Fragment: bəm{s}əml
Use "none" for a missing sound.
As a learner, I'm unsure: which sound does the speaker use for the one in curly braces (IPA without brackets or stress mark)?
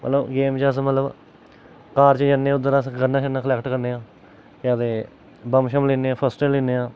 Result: ʃ